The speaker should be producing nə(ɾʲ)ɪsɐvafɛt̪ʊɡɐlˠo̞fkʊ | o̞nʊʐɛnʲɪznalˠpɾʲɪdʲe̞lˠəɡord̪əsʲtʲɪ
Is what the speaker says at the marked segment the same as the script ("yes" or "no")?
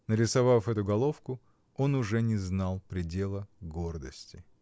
yes